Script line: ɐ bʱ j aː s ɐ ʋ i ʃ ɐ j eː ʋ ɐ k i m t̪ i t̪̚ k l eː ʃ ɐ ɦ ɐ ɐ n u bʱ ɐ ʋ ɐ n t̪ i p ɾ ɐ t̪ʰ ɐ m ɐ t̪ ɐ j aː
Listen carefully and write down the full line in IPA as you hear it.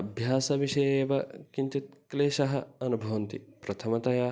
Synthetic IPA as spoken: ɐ bʱ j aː s ɐ ʋ i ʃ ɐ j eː ʋ ɐ k i n t̪ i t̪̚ k l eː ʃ ɐ ɦ ɐ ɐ n u bʱ ɐ ʋ ɐ n t̪ i p ɾ ɐ t̪ʰ ɐ m ɐ t̪ ɐ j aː